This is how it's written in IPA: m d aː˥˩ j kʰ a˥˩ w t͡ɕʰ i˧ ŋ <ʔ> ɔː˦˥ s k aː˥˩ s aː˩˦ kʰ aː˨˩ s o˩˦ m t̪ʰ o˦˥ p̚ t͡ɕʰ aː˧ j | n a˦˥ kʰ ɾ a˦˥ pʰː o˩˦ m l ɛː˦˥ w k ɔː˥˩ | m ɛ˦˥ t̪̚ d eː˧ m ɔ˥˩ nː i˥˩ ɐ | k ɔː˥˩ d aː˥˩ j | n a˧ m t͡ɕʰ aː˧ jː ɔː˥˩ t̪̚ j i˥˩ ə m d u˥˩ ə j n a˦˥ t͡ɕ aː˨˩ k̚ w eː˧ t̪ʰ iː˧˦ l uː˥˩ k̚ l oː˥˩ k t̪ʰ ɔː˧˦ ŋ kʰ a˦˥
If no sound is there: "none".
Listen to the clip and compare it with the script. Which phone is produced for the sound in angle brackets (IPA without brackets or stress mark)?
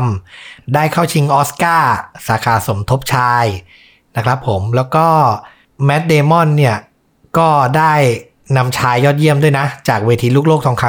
ʔ